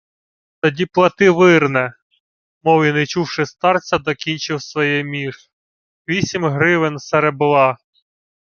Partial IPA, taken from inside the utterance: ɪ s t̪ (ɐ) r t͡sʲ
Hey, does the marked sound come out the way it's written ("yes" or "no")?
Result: no